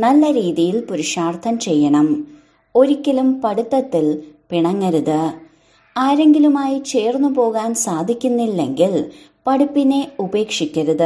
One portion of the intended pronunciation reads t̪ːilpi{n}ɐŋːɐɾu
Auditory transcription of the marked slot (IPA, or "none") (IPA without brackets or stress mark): ɳ